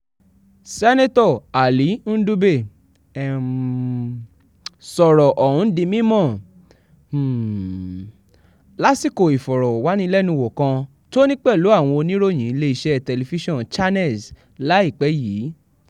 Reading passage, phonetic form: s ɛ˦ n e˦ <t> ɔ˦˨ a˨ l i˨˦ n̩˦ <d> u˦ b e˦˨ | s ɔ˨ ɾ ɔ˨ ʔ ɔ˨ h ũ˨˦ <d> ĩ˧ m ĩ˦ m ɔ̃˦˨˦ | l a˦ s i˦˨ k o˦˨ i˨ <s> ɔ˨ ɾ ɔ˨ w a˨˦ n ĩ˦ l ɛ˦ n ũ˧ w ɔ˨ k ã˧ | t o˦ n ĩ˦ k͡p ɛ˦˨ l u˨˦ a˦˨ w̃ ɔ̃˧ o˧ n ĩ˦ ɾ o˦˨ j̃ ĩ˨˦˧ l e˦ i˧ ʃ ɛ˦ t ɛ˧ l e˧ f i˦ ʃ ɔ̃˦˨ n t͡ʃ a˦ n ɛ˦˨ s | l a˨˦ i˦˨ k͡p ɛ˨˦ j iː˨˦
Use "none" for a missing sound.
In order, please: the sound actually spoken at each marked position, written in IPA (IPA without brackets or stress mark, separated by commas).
t, d, d, f